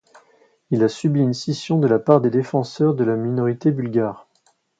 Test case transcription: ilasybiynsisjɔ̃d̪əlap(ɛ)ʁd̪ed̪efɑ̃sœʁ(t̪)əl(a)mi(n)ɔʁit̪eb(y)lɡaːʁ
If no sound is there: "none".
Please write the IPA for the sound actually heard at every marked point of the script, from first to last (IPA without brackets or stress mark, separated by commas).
a, d̪, a, n, y